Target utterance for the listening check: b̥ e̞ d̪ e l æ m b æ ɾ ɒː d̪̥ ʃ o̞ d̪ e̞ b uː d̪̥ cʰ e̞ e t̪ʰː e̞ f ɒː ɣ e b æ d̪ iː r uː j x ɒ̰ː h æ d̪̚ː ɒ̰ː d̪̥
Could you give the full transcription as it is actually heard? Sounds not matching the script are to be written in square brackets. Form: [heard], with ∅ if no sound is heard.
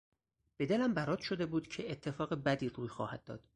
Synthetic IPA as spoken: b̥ e̞ d̪ e l æ m b æ ɾ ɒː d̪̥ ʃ o̞ d̪ e̞ b uː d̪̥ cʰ e̞ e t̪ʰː e̞ f ɒː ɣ e b æ d̪ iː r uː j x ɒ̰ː h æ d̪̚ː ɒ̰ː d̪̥